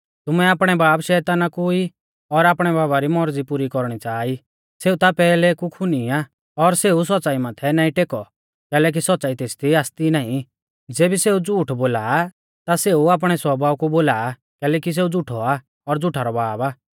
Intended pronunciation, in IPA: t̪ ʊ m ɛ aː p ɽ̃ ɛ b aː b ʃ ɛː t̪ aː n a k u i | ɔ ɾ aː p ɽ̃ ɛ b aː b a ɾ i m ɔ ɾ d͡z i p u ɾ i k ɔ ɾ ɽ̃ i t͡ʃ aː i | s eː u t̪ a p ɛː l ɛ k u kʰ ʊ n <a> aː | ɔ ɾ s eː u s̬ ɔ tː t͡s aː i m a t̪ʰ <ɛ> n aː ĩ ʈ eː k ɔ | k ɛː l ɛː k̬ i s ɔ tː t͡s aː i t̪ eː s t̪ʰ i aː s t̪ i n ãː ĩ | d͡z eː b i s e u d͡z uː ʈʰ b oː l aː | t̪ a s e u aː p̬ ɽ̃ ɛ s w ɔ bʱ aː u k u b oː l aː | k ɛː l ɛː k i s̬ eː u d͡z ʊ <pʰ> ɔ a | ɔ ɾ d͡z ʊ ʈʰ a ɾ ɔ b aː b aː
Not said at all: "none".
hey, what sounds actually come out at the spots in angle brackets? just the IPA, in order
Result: i, ɛ, ʈʰ

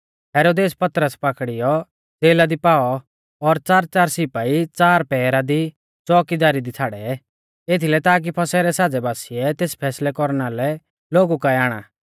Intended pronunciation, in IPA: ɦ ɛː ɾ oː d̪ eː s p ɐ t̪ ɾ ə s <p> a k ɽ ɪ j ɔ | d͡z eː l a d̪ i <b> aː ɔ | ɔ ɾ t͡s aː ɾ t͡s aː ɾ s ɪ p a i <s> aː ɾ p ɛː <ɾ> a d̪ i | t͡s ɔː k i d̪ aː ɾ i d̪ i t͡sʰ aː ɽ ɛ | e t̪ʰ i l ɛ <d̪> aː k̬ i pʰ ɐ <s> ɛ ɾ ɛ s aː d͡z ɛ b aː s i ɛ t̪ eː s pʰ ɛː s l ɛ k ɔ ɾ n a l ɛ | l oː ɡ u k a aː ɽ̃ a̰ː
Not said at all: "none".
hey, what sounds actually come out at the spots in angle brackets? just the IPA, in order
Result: p, p, t͡s, ɾ, t̪, s

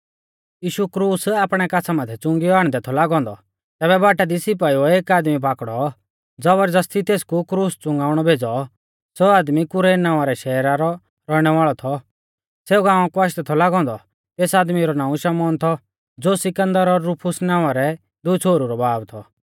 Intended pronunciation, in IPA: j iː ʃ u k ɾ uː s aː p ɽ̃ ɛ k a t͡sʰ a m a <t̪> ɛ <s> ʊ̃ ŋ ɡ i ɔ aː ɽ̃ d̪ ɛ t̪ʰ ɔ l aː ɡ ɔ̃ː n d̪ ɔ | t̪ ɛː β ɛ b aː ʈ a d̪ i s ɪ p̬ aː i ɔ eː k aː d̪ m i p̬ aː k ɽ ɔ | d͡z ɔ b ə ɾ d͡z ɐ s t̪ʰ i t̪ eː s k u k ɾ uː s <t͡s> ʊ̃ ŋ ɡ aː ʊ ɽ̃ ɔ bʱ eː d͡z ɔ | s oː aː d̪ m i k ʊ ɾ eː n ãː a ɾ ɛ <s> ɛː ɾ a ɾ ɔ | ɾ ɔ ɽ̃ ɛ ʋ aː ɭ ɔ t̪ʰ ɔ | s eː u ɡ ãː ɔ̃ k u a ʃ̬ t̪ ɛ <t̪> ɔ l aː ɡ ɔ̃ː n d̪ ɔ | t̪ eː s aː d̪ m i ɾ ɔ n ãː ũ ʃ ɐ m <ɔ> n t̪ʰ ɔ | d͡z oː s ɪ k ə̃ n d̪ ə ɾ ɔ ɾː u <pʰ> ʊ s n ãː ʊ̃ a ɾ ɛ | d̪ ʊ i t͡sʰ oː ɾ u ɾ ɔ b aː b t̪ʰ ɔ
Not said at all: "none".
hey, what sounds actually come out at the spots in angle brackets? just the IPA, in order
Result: t̪ʰ, t͡s, t͡s, ʃ, t̪ʰ, ɔː, pʰ

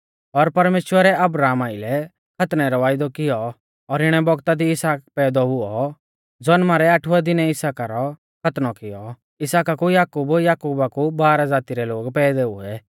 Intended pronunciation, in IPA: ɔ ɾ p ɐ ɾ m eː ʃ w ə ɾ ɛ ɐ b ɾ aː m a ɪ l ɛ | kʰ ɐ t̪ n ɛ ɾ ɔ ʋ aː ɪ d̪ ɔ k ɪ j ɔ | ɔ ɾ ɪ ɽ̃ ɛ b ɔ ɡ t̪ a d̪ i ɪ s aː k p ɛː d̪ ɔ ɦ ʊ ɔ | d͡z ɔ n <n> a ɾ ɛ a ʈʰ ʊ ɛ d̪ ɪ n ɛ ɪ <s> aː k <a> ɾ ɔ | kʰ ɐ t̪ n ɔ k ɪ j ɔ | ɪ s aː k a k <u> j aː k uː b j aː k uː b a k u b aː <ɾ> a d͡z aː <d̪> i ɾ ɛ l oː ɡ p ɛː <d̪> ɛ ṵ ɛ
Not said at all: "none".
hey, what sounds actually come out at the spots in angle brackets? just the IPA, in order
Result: m, s, a, u, ɾ, t̪, d̪

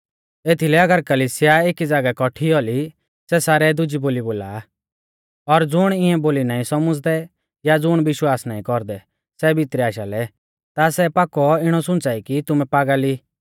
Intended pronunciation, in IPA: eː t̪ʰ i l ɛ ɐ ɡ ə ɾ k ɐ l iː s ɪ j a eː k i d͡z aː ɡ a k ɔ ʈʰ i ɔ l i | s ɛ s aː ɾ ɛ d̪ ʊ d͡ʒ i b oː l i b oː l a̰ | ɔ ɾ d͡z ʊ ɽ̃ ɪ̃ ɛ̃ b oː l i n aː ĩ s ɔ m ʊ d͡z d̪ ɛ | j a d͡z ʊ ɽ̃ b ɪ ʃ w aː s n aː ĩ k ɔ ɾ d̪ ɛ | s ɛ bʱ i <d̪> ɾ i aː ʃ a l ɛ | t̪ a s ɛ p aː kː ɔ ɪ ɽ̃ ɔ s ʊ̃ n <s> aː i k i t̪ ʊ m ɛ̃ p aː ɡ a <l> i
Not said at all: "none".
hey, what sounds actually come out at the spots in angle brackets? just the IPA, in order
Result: t̪, t͡s, l

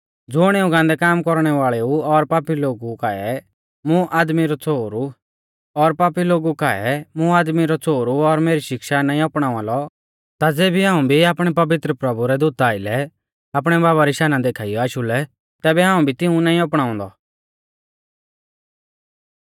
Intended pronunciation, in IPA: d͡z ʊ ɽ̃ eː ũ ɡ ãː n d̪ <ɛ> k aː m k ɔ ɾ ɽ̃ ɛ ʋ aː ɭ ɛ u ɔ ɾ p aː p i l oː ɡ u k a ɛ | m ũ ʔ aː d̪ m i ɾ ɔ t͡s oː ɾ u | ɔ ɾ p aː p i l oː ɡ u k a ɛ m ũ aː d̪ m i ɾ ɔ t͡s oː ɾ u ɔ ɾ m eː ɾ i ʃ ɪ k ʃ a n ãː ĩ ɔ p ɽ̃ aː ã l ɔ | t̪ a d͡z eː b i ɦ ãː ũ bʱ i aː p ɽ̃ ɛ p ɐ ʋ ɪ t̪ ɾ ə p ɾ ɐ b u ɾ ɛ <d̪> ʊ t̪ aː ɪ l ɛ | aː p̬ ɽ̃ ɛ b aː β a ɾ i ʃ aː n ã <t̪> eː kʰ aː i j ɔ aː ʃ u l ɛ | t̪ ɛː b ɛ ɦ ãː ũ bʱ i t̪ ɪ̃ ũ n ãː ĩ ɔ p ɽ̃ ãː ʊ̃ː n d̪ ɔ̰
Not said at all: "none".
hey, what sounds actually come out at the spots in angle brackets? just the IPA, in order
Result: ɛ, d̪, d̪

